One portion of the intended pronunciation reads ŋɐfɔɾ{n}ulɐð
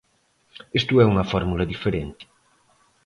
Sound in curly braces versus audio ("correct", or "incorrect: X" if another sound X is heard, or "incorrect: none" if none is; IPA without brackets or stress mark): incorrect: m